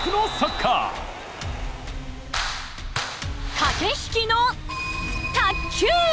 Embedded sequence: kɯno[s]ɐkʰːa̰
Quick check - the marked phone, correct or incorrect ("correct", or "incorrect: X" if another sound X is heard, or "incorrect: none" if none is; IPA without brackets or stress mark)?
correct